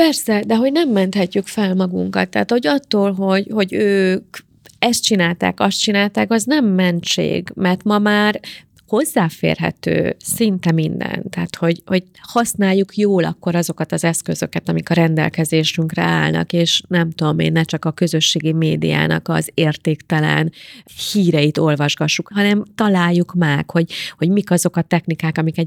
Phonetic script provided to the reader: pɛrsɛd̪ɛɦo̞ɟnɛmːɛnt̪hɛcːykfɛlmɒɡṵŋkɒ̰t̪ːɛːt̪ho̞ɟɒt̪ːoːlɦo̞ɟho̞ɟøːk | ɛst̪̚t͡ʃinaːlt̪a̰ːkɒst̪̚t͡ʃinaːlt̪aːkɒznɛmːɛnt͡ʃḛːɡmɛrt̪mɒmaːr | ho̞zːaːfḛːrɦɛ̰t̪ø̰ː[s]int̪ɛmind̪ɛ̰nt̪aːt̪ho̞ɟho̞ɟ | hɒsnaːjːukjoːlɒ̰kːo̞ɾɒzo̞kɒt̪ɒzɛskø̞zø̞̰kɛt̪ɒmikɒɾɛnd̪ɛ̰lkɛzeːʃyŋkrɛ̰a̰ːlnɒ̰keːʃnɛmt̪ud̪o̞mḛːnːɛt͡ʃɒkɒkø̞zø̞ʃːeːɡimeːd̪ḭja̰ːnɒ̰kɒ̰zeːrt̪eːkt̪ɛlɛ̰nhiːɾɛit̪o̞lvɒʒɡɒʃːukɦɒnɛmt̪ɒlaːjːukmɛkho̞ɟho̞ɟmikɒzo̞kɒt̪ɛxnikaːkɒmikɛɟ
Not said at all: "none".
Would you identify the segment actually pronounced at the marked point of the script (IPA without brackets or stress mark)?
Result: s